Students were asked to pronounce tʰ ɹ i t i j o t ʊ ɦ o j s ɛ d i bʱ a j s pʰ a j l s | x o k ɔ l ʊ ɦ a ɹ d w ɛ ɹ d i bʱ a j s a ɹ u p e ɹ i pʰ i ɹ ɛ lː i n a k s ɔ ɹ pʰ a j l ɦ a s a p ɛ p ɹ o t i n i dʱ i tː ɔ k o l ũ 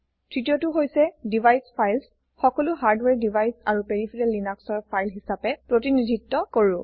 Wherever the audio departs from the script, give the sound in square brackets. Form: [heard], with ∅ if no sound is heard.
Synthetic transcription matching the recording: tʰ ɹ i t i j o t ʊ ɦ o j s ɛ d i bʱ a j s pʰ a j l s | x [ɔ] k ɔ l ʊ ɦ a ɹ d w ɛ ɹ d i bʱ a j s a ɹ u p e ɹ i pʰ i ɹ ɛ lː i n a k s ɔ ɹ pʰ a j l ɦ [i] s a p ɛ p ɹ o t i n i dʱ i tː ɔ k o [ɹ] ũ